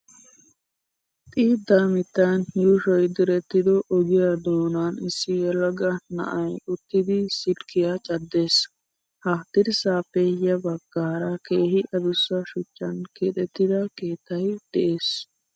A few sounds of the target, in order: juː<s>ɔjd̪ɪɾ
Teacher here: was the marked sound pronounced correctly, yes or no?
no